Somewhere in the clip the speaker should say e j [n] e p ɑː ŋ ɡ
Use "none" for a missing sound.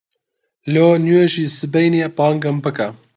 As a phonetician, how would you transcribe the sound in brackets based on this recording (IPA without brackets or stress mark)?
n